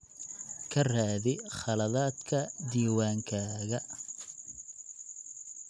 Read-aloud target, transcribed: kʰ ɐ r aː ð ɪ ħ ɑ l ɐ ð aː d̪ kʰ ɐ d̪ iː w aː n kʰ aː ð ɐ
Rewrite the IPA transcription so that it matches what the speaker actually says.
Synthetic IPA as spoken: kʰ ɐ r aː ð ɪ χ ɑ l ɐ ð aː d̪ kʰ ɐ d̪ iː w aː ŋ kʰ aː ɣ ɐ

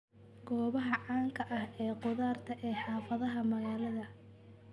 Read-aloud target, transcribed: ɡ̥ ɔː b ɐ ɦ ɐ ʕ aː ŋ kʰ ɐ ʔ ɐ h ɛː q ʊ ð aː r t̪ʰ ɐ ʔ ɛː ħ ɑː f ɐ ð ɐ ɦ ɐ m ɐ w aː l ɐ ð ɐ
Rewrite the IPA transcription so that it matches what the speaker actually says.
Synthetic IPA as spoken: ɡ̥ ɔː β ɐ ɦ ɐ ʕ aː ŋ kʰ ɐ ʔ ɐ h ɛː q ʊ ð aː r t̪ʰ ɐ ʔ ɛː ħ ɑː f ɐ ð ɐ ɦ ɐ m ɐ ɣ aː l ɐ ð ɐ

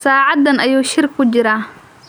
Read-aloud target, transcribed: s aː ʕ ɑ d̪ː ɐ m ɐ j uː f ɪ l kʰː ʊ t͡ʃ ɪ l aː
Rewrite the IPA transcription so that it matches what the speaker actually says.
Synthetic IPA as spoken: s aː ʕ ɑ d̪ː ɐ n ɐ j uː ʃ ɪ r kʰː ʊ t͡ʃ ɪ ɾ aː

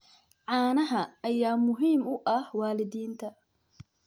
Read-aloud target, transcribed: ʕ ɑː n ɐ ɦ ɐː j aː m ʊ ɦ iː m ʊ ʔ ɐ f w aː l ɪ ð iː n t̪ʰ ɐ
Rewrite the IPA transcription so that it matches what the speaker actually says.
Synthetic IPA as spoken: ʕ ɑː n ɐ ɦ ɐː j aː m ʊ ɦ iː m ʊ ʔ ɐ h w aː l ɪ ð iː n t̪ʰ ɐ

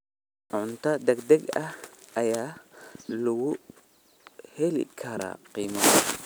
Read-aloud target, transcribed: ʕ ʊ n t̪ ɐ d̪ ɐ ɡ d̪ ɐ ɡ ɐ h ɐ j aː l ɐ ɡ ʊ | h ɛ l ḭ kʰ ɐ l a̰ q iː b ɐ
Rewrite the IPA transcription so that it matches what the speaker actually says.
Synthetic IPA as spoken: ʕ ʊ n t̪ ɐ d̪ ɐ ɡ d̪ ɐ ɡ ɐ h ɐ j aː l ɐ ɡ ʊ | h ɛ l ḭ kʰ ɐ ɾ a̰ q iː m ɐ

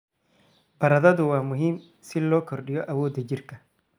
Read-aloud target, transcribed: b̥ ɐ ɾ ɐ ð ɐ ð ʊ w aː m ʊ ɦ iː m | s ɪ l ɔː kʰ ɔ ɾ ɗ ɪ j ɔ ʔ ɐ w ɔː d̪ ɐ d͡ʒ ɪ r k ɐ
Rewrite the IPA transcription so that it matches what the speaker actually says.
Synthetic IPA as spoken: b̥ ɐ ɾ ɐ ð ɐ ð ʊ w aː m ʊ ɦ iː m | s ɪ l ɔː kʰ ɔ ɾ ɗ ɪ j ɔ ʔ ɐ w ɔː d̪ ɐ d͡ʒ ɪ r k ɐ

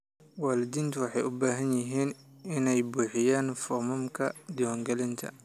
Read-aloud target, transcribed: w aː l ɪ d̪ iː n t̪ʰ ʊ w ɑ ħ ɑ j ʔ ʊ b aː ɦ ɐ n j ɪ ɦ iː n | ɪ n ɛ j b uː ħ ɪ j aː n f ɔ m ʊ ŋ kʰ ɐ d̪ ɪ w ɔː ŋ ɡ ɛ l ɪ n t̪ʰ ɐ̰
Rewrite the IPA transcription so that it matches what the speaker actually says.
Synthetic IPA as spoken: w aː l ɪ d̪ iː n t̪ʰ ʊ w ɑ ħ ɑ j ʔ ʊ b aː ɦ ɐ n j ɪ ɦ iː n | ɪ n ɛ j b uː ħ ɪ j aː n f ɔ m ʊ m kʰ ɐ d̪ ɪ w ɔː ŋ ɡ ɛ l ɪ n t̪ʰ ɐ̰

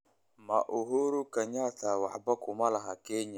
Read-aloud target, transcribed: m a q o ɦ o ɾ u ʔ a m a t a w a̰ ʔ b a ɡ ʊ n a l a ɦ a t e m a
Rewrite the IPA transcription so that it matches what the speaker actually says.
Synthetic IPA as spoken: m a ʔ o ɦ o ɾ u k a ɲ a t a w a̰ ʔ b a k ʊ m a l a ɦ a k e ɲ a

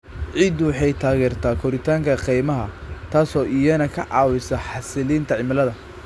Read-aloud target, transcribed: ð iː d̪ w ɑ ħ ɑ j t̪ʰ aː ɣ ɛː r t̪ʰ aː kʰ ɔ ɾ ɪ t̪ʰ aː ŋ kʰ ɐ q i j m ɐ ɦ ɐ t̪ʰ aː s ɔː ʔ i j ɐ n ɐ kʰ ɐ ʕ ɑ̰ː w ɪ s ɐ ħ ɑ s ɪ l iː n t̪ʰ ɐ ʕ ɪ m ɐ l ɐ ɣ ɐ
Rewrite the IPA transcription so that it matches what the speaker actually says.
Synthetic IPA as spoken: ʕ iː d̪ w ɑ ħ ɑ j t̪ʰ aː ɣ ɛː r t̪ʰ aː kʰ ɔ ɾ ɪ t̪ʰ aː ŋ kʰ ɐ q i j m ɐ ɦ ɐ t̪ʰ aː s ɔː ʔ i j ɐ n ɐ kʰ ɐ ʕ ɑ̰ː w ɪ s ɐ ħ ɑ s ɪ l iː n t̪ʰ ɐ ʕ ɪ m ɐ l ɐ ð ɐ

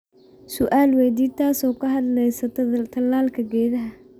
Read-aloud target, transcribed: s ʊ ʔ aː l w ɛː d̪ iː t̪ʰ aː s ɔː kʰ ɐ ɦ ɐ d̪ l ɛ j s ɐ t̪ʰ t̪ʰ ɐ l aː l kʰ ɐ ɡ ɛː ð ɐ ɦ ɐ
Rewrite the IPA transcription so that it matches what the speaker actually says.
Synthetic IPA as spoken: s ʊ ʔ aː l w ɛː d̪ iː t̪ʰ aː s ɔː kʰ ɐ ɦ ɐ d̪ l ɛ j s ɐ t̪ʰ t̪ʰ ɐ l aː l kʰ ɐ ɡ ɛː ð ɐ ɦ ɐ

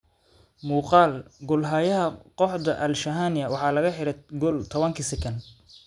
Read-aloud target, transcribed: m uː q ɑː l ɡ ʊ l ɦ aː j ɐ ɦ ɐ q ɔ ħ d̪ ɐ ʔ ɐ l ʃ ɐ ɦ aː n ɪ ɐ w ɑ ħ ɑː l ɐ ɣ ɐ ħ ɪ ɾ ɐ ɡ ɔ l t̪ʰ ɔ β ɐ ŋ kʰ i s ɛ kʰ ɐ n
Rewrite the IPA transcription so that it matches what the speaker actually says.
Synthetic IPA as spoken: m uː q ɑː l ɡ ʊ l ɦ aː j ɐ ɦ ɐ q ɔ ħ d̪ ɐ ʔ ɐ l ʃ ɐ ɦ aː n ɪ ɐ w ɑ ħ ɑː l ɐ ɣ ɐ ħ ɪ ɾ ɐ ɡ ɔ l t̪ʰ ɔ β ɐ ŋ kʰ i s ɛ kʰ ɐ n

